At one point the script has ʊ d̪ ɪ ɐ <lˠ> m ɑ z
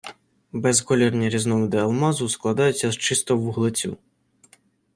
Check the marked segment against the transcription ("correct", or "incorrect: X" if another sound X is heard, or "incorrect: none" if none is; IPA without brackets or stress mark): correct